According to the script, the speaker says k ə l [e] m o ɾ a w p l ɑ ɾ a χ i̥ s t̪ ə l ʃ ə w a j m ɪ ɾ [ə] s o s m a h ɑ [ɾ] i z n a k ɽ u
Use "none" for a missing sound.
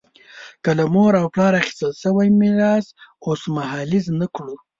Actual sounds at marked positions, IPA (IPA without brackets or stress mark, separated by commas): a, ɑ, l